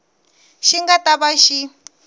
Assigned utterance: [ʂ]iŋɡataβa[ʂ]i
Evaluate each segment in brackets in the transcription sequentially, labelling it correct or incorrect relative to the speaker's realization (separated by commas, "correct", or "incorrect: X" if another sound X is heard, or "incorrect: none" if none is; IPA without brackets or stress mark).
incorrect: ʃ, incorrect: ʃ